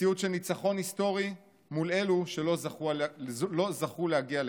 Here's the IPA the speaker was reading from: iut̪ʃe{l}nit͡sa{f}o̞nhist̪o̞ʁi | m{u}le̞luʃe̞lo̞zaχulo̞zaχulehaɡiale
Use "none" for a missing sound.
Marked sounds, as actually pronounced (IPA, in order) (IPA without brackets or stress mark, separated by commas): l, χ, u